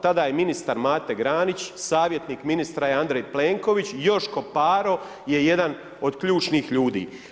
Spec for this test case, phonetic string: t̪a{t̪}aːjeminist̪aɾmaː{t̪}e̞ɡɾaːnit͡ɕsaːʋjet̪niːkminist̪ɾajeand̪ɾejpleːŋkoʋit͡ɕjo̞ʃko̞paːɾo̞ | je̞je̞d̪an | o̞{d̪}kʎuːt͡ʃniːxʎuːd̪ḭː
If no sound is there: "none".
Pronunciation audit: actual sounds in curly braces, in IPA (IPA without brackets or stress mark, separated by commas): d̪, t̪, d̪